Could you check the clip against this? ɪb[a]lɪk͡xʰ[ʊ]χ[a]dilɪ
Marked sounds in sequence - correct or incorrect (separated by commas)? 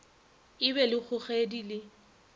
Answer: incorrect, correct, incorrect